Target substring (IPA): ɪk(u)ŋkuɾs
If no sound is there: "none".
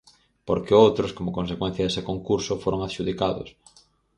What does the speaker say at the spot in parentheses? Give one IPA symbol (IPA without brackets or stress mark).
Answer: o